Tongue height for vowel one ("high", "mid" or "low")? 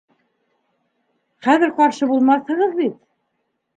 low